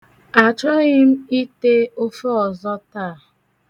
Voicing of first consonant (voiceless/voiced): voiceless